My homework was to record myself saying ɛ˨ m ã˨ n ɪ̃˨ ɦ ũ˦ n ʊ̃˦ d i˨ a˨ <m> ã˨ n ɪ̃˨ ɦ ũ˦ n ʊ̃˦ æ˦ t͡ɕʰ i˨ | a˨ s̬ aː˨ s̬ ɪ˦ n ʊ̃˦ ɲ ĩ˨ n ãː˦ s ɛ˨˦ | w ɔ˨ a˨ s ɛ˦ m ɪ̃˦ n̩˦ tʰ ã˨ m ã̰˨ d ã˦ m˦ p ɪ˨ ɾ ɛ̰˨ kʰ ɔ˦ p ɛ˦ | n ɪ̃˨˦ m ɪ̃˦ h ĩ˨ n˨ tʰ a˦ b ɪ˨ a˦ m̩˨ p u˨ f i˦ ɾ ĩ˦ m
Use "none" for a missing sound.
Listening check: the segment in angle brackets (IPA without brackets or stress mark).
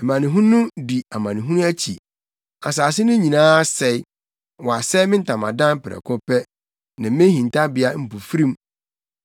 m